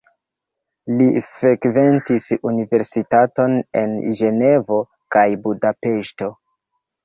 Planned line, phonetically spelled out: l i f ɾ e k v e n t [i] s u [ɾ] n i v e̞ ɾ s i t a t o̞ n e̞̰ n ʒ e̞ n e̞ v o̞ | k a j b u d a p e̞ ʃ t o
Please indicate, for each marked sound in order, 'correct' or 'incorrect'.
correct, incorrect: none

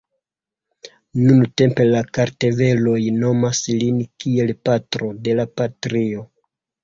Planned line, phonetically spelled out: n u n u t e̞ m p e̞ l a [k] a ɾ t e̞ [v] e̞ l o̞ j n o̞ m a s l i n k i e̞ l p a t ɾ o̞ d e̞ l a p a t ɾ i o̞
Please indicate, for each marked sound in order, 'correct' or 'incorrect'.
correct, correct

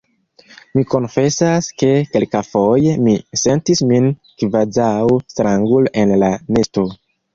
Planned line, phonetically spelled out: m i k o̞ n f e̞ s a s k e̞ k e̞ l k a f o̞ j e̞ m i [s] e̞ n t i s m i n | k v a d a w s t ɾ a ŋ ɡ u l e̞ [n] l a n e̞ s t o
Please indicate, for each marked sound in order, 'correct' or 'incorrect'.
correct, correct

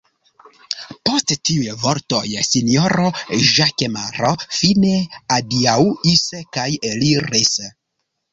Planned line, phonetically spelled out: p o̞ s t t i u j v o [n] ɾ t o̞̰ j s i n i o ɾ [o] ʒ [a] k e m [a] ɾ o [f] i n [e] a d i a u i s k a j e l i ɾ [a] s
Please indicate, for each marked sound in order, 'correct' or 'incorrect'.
incorrect: none, correct, correct, correct, correct, correct, incorrect: i

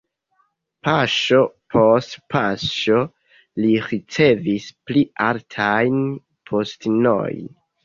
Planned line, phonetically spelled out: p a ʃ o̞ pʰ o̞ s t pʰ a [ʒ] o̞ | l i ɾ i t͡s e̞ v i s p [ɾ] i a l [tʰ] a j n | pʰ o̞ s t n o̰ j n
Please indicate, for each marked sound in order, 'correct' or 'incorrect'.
incorrect: ʃ, incorrect: l, correct

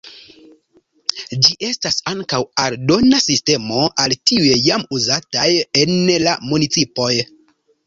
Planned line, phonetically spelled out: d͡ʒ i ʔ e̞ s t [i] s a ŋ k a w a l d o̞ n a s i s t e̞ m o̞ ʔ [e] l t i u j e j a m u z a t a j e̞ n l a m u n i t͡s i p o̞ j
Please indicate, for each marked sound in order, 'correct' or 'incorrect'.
incorrect: a, incorrect: a

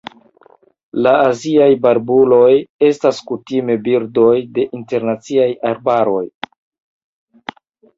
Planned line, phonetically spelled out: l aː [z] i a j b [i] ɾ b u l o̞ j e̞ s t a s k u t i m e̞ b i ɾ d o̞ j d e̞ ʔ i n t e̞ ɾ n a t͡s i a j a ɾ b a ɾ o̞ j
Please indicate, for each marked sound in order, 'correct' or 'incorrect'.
correct, incorrect: a

